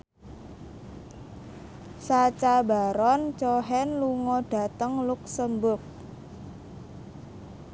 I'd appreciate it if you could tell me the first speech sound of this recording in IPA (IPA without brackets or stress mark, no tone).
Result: s